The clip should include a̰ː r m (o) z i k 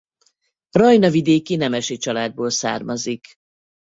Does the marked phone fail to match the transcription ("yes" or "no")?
yes